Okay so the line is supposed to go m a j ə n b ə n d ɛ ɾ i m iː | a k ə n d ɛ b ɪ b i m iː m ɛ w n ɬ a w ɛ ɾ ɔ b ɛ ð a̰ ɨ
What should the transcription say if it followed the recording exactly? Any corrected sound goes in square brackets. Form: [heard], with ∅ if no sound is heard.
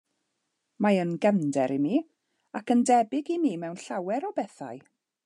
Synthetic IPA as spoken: m a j ə n [ɡ] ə n d ɛ ɾ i m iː | a k ə n d ɛ b ɪ [ɡ] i m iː m ɛ w n ɬ a w ɛ ɾ ɔ b ɛ [θ] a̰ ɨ